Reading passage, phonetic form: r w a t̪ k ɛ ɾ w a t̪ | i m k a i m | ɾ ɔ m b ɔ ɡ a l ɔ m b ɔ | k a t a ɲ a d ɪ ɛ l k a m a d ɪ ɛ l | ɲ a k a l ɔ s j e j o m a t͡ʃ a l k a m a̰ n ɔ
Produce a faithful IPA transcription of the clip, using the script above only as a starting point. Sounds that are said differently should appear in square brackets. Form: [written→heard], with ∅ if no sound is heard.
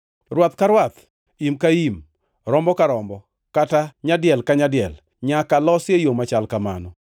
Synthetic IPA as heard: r w a t̪ k [ɛ→a] ɾ w a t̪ | i m k a i m | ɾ ɔ m b ɔ [ɡ→k] a [l→ɾ] ɔ m b ɔ | k a t a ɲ a d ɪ ɛ l k a [m→ɲ] a d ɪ ɛ l | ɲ a k a l ɔ s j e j o m a t͡ʃ a l k a m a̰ n ɔ